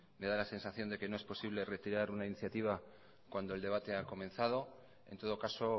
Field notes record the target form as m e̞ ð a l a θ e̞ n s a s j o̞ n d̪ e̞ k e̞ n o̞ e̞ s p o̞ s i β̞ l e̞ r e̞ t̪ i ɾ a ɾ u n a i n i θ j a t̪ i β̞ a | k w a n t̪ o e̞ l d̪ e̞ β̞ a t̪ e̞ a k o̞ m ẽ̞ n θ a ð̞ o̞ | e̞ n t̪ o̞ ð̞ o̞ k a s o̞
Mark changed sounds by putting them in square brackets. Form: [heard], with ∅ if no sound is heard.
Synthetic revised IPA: m e̞ ð a l a [s] e̞ n s a [θ] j o̞ n d̪ e̞ k e̞ n o̞ e̞ s p o̞ s i β̞ l e̞ r e̞ t̪ i ɾ a ɾ u n a i n i θ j a t̪ i β̞ a | k w a n [d̪] o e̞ l d̪ e̞ β̞ a t̪ e̞ a k o̞ m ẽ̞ n θ a ð̞ o̞ | e̞ n t̪ o̞ ð̞ o̞ k a s o̞